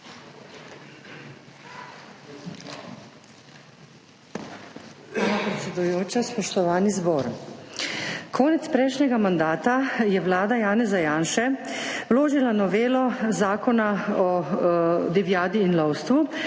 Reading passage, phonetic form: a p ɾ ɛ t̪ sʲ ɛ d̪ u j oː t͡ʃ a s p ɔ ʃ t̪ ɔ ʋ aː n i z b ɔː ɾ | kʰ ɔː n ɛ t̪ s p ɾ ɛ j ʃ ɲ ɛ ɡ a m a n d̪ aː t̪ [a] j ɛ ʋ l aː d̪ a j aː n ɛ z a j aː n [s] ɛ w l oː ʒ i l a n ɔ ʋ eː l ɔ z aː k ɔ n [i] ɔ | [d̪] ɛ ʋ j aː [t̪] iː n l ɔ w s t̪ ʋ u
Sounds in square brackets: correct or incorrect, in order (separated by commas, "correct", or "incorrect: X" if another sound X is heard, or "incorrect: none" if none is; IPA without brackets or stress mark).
correct, incorrect: ʃ, incorrect: a, correct, incorrect: d̪